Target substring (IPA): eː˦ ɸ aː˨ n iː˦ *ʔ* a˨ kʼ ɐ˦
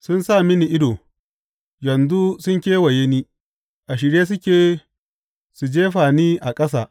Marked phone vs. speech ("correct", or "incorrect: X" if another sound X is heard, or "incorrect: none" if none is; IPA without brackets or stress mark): correct